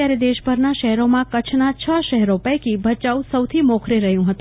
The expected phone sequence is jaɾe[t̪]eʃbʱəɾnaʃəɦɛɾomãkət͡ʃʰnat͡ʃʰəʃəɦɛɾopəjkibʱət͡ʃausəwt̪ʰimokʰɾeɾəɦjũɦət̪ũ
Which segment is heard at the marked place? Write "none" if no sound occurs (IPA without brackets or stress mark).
d̪